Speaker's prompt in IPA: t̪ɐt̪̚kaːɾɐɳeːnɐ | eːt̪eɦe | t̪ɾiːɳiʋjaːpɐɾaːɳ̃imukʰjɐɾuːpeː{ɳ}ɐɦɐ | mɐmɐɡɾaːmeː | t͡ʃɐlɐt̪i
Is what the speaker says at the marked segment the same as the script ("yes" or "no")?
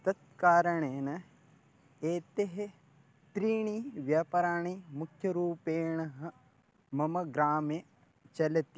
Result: yes